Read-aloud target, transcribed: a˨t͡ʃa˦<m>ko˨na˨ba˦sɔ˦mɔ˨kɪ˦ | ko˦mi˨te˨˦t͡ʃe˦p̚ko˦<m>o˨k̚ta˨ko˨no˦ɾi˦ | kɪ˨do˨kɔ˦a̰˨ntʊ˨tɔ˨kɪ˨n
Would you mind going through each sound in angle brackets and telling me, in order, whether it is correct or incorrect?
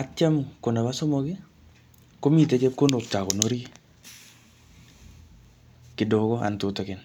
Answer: correct, incorrect: n

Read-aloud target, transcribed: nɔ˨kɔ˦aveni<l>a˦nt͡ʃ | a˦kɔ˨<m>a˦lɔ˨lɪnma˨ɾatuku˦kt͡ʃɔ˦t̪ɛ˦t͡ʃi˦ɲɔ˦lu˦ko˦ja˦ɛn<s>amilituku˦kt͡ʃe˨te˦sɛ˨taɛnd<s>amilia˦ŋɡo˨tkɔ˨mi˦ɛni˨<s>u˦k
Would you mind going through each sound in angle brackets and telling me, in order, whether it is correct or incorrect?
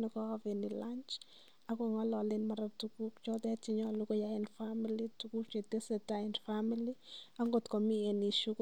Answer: correct, incorrect: ŋ, incorrect: f, incorrect: f, incorrect: ʃ

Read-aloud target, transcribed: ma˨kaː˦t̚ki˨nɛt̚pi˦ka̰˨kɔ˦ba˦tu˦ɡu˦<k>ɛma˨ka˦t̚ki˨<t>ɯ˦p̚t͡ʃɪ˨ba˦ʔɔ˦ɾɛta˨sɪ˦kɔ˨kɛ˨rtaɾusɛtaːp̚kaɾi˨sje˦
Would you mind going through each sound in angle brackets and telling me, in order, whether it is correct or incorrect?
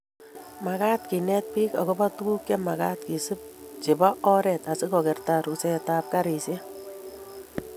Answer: correct, incorrect: s

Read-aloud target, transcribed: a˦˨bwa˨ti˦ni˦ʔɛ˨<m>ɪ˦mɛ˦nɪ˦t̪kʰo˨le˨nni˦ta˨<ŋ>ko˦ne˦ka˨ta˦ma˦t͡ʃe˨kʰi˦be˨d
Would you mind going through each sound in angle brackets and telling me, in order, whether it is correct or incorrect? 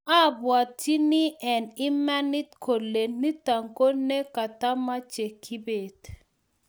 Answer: incorrect: n, correct

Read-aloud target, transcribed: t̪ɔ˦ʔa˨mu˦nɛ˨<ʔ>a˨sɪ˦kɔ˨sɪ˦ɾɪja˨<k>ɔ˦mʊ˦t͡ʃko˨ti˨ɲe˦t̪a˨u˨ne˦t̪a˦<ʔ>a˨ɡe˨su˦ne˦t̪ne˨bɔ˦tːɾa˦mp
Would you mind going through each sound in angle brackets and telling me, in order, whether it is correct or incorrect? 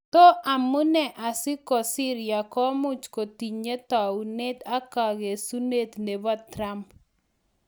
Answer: correct, correct, incorrect: k

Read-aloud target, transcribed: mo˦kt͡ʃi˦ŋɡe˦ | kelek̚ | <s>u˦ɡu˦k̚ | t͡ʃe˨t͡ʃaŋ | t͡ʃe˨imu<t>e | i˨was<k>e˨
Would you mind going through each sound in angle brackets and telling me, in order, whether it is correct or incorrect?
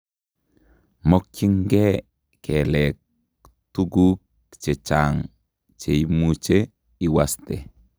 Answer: incorrect: t, incorrect: t͡ʃ, incorrect: t

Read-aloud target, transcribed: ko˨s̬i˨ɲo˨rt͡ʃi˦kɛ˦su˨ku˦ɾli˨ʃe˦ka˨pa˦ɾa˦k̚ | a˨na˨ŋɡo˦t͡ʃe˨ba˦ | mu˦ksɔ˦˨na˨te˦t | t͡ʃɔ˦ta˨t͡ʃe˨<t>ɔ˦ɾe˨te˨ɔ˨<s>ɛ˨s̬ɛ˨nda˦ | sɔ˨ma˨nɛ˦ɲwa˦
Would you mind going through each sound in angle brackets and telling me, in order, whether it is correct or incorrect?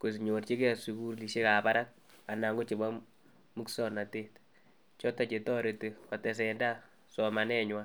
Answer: correct, incorrect: t

